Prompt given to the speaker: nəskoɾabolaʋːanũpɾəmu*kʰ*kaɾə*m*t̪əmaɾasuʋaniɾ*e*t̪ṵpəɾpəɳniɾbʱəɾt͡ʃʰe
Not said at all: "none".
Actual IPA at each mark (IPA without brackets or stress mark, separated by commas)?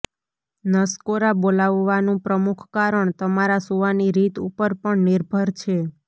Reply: kʰ, ɳ, i